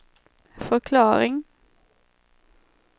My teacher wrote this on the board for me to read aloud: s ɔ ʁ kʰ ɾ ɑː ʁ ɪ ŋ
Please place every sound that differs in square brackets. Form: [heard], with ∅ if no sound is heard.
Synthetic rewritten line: [f] ɔ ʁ kʰ [l] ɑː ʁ ɪ ŋ